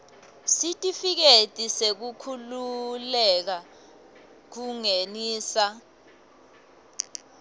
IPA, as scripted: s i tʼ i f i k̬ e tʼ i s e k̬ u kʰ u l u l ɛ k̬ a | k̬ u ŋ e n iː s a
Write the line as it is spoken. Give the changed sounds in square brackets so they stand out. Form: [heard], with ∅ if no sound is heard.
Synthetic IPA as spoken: s i tʼ i f i k̬ e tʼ i s e k̬ u kʰ u l u l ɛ k̬ a | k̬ u ŋ e n iː s a

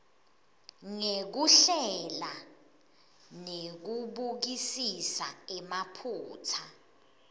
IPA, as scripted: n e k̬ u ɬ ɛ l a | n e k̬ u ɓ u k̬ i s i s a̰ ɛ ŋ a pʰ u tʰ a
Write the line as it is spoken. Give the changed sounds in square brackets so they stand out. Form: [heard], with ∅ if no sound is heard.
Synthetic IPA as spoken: [ŋ] e k̬ u ɬ ɛ l a | n e k̬ u ɓ u k̬ i s i s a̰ ɛ [m] a pʰ [uː] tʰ a

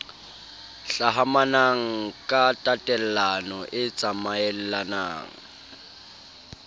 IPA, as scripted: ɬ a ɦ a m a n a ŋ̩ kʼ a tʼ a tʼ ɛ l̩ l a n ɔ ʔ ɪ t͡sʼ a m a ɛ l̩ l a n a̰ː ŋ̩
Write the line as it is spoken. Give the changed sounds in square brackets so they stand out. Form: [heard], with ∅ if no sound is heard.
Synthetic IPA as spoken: ɬ a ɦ a m a n a ŋ̩ kʼ a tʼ a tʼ ɛ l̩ l a n ɔ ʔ ɪ t͡sʼ a m a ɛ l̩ l a n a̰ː ŋ̩

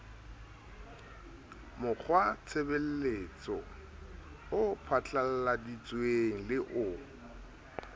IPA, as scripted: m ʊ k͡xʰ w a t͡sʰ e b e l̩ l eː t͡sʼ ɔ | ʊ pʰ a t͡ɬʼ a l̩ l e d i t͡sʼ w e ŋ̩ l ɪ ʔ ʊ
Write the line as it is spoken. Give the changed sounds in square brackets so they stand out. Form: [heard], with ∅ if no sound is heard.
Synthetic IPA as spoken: m ʊ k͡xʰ w a t͡sʰ e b e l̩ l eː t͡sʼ ɔ | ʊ pʰ a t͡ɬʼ a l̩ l [a] d i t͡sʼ w e ŋ̩ l ɪ ʔ ʊ

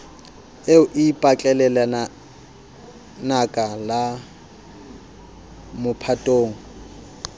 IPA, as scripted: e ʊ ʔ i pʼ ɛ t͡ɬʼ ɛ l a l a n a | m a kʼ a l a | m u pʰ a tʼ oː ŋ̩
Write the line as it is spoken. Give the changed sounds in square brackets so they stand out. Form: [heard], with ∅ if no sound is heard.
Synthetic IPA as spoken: e ʊ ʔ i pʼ [a] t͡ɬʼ ɛ l [ɛ] l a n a | [n] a kʼ a l a | m [ʊ] pʰ a tʼ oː ŋ̩

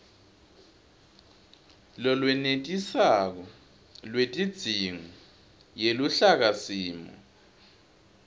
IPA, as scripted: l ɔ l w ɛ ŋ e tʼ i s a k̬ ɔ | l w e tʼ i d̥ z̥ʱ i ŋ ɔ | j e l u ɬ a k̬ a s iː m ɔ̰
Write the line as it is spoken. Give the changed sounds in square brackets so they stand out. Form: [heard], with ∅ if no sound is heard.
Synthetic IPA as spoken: l ɔ l w ɛ [n] e tʼ i s a k̬ ɔ | l w e tʼ i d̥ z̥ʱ i ŋ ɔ | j e l u ɬ a k̬ a s iː m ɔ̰

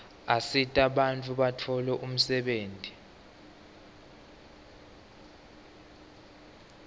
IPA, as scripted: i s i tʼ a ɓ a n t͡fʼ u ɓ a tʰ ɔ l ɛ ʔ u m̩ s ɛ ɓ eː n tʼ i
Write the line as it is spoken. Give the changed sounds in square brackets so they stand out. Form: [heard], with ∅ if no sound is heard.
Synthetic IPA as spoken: [a] s i tʼ a ɓ a n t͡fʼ u ɓ a tʰ ɔ l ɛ ʔ u m̩ s ɛ ɓ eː n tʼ i

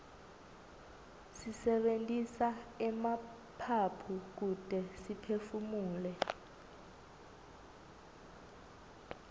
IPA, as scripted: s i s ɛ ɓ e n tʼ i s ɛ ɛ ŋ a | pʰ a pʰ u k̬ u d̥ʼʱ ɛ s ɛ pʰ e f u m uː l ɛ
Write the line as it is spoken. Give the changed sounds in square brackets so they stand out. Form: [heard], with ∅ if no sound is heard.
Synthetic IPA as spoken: s i s ɛ ɓ e n tʼ i s [a] ɛ [m] a | pʰ a pʰ u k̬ u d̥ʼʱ ɛ s [i] pʰ e f u m uː l ɛ

